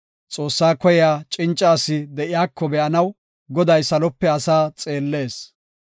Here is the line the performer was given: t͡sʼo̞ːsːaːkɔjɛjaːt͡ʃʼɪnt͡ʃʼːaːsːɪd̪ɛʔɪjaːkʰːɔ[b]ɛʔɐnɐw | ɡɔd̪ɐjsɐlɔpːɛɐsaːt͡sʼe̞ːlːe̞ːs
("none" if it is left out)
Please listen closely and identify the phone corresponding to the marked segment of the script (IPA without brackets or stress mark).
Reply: b